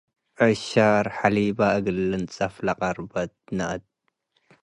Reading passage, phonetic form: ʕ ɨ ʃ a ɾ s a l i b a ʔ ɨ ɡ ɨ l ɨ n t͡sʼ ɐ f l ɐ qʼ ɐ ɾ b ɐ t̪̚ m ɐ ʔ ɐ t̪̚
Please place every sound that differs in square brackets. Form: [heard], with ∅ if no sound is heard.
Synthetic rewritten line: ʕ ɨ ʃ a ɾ [ħ] a l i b a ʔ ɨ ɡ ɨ l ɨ n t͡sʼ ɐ f l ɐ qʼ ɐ ɾ b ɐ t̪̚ [n] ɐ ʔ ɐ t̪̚